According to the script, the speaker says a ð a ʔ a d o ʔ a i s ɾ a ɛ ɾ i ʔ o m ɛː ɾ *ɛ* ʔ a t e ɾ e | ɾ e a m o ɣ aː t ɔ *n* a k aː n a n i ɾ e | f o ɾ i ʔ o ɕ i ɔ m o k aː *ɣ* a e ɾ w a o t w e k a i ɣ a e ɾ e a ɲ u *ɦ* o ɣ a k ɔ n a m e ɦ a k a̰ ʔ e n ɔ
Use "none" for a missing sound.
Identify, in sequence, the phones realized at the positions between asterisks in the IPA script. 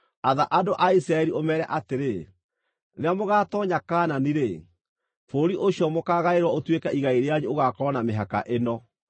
ɛ, ɲ, ɣ, none

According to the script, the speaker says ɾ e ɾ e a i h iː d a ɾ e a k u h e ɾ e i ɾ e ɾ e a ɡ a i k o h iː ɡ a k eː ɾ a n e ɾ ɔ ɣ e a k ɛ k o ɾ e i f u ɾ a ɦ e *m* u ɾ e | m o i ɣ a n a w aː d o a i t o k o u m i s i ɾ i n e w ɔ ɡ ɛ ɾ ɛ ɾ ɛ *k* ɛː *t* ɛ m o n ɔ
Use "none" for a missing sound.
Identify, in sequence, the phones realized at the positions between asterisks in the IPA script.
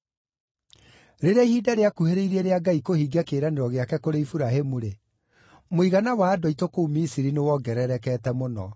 m, k, t

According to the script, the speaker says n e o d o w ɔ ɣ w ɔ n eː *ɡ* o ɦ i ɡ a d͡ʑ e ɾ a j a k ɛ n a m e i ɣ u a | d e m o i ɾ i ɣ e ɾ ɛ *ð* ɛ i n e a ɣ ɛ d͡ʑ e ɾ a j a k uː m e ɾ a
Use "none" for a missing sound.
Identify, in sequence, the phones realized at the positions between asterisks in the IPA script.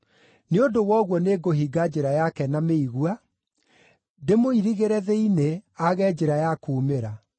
ɡ, ð

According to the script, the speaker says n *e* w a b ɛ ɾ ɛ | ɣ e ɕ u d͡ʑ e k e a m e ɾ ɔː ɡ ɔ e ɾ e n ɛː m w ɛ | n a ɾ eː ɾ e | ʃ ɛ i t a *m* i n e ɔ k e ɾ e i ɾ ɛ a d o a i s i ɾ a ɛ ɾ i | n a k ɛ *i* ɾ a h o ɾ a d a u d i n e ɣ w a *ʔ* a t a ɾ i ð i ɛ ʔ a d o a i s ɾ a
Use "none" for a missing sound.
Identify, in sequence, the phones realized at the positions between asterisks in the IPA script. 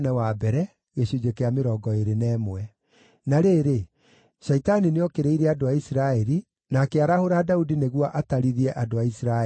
ɛ, n, a, ʔ

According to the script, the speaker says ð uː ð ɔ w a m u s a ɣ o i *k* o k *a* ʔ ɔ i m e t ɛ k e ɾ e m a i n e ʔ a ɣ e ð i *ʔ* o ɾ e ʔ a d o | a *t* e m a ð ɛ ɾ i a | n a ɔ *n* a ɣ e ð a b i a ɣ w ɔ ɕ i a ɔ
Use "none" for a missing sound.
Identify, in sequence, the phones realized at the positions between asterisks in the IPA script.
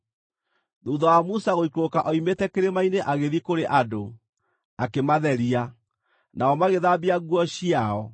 k, a, k, k, m

